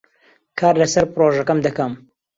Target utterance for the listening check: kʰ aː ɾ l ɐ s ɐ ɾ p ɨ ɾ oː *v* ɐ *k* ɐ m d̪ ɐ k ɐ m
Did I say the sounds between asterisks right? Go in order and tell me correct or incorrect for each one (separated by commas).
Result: incorrect, correct